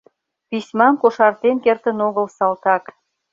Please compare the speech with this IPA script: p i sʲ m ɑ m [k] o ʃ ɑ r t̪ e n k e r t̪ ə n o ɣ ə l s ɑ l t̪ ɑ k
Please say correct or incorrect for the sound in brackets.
correct